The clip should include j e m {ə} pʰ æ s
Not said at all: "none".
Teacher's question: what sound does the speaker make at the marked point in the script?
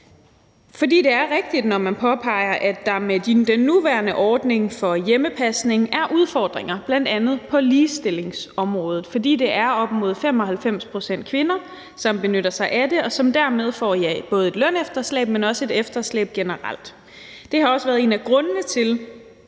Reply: ə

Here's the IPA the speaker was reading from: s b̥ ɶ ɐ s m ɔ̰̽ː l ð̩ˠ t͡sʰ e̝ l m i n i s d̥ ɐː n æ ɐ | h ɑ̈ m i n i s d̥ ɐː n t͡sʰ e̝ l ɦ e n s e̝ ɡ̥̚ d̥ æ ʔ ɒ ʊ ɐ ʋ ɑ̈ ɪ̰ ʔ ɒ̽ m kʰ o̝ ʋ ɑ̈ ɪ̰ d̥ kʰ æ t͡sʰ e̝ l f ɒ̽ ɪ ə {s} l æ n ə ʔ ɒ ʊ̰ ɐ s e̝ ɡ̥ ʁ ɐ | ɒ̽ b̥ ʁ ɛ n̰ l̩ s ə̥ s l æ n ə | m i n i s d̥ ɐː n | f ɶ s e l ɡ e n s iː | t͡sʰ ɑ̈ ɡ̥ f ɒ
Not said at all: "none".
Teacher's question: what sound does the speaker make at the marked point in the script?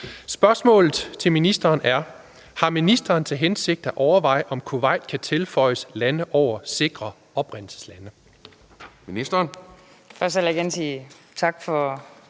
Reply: s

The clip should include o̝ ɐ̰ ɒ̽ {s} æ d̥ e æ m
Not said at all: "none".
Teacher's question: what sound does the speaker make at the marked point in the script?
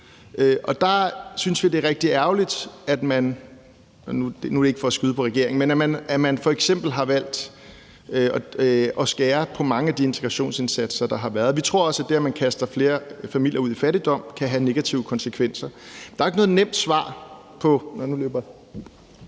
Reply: s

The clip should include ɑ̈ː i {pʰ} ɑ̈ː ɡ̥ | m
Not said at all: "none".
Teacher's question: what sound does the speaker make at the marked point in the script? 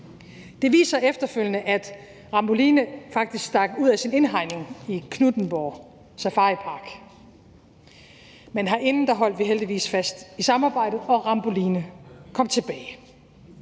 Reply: pʰ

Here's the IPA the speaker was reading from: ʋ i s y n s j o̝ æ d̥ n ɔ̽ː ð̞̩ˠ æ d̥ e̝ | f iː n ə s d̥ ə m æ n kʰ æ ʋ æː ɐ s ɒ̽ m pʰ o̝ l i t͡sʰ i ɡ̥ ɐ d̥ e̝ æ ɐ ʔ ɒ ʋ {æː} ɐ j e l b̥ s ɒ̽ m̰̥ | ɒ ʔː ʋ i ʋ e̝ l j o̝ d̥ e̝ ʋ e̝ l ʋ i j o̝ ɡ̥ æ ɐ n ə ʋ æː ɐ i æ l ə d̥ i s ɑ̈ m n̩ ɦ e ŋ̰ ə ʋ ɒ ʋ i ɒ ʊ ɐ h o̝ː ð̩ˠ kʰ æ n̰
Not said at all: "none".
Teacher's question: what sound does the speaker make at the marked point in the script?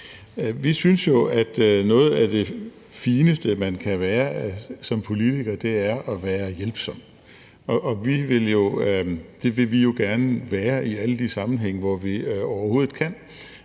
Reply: æː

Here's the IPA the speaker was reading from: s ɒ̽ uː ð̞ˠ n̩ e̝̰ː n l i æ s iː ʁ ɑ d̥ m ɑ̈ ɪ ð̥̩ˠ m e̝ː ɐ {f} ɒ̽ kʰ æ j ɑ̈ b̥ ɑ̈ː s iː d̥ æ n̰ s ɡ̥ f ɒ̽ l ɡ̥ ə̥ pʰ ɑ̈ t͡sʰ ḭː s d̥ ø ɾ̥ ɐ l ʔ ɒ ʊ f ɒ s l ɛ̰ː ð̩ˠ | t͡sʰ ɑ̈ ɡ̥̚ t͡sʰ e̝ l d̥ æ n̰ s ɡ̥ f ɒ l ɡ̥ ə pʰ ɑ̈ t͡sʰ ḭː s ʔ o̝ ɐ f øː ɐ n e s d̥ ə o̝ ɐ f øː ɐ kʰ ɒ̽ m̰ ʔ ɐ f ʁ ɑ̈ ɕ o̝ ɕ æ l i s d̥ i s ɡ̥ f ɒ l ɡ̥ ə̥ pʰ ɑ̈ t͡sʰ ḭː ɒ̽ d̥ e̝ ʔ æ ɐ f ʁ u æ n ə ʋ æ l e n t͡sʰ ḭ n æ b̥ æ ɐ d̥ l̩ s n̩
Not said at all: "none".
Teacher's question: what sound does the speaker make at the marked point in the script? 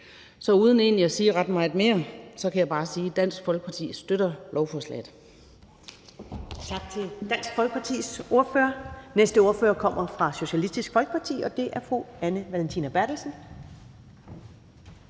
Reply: s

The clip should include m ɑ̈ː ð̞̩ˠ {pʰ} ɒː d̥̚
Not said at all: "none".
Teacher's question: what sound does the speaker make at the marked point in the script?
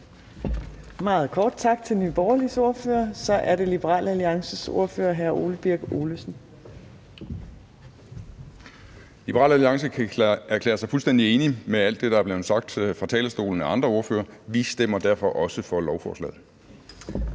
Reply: kʰ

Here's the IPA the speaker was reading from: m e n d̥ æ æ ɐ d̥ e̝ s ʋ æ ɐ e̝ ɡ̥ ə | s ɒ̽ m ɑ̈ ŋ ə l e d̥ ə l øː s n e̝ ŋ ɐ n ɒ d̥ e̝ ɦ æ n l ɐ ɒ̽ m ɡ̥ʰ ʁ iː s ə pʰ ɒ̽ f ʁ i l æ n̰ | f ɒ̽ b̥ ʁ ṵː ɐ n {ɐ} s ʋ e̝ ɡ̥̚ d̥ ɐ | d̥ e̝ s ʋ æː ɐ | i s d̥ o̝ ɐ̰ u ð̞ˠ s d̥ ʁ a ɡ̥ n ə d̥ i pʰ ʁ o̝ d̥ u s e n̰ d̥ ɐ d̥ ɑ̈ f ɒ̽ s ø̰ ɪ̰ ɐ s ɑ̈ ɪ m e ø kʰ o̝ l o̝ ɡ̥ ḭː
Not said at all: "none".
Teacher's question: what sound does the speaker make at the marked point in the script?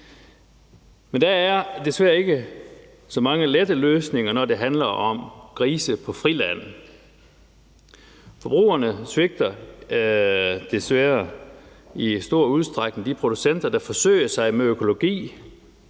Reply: ə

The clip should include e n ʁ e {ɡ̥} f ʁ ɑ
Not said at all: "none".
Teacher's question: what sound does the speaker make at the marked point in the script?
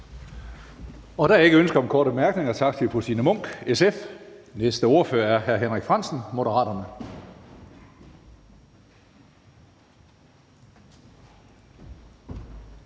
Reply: ɡ̥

